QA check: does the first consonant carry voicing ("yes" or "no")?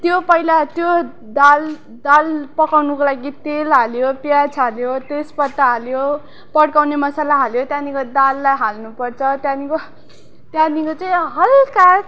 no